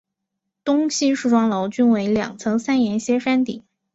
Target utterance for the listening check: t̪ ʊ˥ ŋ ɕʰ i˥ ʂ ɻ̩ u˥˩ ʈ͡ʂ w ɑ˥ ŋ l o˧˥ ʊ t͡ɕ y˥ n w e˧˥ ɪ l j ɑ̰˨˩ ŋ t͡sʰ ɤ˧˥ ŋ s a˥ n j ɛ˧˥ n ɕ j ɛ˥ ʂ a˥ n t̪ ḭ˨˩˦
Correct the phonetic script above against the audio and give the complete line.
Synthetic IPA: t̪ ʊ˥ ŋ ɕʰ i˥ ʂ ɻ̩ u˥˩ ʈ͡ʂ w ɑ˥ ŋ l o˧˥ ʊ t͡ɕ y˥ n w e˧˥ ɪ l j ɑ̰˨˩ ŋ t͡sʰ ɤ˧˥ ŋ s a˥ n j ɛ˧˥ n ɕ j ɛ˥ ʂ a˥ n t̪ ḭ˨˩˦